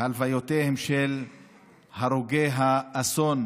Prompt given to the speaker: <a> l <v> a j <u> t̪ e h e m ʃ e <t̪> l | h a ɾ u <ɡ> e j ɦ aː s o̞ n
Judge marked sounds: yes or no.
yes, yes, no, no, yes

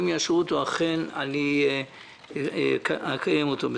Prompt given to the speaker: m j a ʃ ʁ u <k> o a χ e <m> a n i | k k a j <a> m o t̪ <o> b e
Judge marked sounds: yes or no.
no, no, no, yes

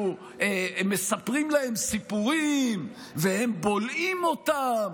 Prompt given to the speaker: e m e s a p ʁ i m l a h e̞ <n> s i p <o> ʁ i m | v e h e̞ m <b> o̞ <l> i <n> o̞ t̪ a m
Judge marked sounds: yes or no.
no, no, yes, yes, no

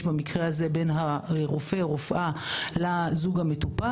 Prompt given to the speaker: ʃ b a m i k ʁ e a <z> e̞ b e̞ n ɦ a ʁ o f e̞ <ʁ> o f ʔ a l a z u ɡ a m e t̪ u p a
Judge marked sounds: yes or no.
yes, yes

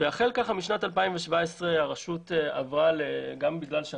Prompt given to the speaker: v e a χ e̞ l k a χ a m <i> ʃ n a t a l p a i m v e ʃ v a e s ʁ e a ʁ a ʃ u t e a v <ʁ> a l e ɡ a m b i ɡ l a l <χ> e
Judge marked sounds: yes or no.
yes, yes, no

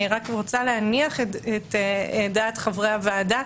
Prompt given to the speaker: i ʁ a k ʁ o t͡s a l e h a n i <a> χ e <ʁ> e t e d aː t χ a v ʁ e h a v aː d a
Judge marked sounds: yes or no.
yes, no

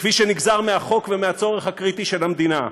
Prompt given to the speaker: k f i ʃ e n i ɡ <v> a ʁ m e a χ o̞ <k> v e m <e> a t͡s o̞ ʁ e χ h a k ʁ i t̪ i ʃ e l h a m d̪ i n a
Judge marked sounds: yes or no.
no, yes, yes

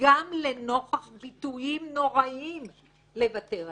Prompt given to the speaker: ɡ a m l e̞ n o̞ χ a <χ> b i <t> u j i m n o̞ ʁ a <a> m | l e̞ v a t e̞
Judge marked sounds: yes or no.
yes, yes, no

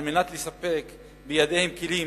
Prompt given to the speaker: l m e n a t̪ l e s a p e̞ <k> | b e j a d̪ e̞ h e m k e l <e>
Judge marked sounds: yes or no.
yes, no

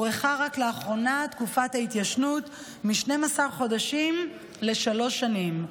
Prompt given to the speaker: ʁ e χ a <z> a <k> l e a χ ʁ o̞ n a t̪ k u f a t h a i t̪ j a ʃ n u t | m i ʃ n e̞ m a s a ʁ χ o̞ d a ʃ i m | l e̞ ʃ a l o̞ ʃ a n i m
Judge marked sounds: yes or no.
no, yes

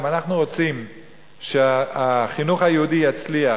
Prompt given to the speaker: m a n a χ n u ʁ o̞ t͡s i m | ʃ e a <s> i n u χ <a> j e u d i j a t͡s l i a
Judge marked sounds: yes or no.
no, yes

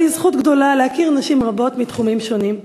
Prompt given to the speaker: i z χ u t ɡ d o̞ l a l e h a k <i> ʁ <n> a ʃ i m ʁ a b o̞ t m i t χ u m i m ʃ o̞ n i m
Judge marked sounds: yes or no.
yes, yes

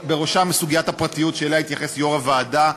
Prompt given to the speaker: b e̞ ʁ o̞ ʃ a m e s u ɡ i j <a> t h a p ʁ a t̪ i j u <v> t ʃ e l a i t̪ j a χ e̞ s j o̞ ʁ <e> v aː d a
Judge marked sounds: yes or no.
yes, no, no

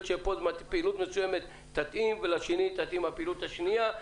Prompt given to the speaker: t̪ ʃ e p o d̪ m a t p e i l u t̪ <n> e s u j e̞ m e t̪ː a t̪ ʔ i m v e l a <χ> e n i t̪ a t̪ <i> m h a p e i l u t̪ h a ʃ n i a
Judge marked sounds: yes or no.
no, no, yes

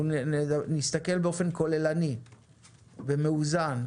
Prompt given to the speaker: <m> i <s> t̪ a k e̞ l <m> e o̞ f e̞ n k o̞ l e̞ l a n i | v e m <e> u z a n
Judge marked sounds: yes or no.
no, yes, no, yes

